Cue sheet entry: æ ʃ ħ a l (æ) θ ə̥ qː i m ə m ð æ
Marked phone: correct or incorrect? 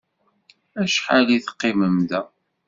incorrect